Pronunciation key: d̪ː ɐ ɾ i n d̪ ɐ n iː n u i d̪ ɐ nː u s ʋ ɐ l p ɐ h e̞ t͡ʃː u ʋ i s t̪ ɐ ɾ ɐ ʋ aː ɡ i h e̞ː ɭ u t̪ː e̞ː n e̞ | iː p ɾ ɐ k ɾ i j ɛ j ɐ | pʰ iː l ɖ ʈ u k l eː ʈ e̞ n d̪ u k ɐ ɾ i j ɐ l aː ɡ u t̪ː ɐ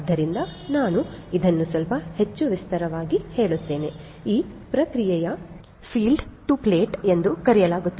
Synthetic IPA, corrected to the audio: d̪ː ɐ ɾ i n d̪ ɐ n aː n u i d̪ ɐ nː u s ʋ ɐ l p ɐ h e̞ t͡ʃː u ʋ i s t̪ ɐ ɾ ɐ ʋ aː ɡ i h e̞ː ɭ u t̪ː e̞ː n e̞ | iː p ɾ ɐ k ɾ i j ɛ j ɐ | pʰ iː l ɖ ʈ u p l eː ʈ e̞ n d̪ u k ɐ ɾ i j ɐ l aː ɡ u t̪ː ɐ